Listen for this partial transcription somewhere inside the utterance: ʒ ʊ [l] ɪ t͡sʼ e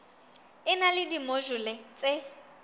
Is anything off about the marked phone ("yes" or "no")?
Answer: no